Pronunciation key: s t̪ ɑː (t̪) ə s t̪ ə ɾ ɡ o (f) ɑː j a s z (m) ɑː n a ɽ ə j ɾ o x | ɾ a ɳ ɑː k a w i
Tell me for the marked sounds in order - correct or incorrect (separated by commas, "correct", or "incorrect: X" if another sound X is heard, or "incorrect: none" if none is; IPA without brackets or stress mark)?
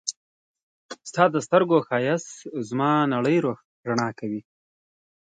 incorrect: d̪, incorrect: x, correct